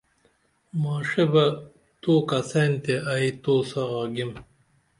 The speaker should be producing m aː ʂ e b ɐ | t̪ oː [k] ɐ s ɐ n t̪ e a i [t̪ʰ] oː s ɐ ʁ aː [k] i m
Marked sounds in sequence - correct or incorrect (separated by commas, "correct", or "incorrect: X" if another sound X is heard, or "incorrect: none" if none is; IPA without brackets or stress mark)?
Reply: correct, incorrect: t̪, incorrect: ɡ